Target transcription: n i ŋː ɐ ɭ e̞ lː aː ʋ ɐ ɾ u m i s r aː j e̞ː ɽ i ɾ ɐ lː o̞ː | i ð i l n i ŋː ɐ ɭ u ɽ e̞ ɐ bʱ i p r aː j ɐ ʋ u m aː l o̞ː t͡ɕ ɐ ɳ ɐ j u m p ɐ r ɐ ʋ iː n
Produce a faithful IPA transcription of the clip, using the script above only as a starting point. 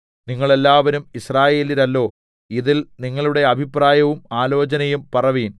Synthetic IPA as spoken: n i ŋː ɐ ɭ e̞ lː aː ʋ ɐ ɾ u m i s r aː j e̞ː l i ɾ ɐ lː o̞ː | i ð i l n i ŋː ɐ ɭ u ɽ e̞ ɐ bʱ i p r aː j ɐ ʋ u m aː l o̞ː t͡ɕ ɐ n ɐ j u m p ɐ r ɐ ʋ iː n